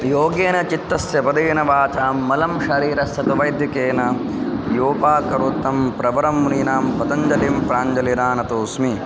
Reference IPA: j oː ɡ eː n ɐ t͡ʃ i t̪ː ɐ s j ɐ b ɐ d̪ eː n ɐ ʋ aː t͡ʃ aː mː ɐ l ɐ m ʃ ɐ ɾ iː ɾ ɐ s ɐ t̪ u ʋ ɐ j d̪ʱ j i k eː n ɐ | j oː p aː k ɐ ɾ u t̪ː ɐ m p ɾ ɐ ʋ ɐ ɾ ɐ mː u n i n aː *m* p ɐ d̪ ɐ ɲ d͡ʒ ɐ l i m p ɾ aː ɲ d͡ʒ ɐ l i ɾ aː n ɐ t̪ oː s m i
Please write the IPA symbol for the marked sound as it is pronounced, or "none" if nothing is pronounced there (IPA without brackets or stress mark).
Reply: m